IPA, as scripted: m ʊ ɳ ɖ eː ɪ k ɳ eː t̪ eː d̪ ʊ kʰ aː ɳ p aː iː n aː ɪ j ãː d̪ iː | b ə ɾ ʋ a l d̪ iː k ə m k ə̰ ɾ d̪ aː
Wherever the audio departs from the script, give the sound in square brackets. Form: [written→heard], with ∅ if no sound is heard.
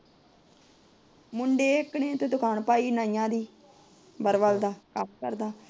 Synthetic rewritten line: m ʊ ɳ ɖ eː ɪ k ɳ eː t̪ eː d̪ ʊ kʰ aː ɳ p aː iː n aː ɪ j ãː d̪ iː | b ə ɾ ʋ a l d̪ [iː→aː] k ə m k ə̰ ɾ d̪ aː